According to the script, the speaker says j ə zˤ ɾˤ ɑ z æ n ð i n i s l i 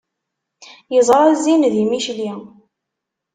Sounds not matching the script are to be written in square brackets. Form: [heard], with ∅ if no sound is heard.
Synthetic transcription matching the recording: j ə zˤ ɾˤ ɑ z [i] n ð i [m] i [ʃ] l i